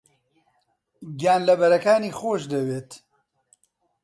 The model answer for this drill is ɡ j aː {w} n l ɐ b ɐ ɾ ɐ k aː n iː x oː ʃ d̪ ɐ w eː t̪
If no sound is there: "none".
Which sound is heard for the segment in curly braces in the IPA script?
none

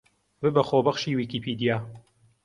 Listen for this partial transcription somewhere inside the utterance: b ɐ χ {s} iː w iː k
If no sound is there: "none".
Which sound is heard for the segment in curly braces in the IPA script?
ʃ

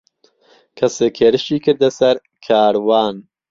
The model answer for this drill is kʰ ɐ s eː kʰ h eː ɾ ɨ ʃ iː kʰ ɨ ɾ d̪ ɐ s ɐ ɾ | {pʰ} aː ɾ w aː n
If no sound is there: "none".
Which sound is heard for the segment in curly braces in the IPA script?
kʰ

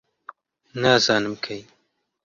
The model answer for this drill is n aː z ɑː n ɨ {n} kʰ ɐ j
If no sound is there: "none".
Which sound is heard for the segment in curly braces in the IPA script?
m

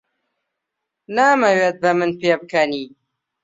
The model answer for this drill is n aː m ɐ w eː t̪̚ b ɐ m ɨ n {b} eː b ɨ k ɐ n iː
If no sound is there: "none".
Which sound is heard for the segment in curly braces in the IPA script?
p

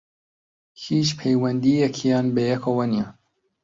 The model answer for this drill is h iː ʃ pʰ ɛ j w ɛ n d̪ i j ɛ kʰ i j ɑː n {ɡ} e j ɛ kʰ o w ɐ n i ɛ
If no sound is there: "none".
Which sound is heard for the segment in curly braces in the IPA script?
b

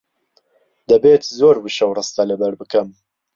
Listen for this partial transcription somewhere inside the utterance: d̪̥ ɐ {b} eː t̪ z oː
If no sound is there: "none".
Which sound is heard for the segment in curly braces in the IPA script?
b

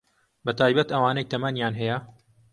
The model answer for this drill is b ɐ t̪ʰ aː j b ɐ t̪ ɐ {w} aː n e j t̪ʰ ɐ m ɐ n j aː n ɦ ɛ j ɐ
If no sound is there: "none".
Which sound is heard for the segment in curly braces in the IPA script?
w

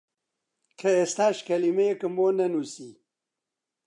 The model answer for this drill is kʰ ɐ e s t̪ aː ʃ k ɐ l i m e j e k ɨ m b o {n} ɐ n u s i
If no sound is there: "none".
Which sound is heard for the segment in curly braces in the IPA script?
n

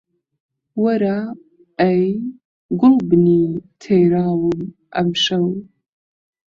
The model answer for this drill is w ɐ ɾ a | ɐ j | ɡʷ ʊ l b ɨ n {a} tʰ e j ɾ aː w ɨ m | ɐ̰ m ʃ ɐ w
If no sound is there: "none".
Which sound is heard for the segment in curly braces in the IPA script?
i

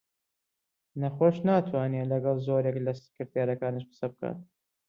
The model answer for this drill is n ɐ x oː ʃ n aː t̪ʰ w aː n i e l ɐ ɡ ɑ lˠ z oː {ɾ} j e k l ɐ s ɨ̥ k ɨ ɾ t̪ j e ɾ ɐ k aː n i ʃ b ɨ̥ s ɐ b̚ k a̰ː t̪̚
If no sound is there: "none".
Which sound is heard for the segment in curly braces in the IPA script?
ɾ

